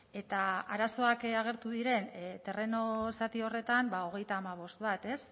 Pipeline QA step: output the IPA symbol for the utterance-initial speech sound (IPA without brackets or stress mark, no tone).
e̞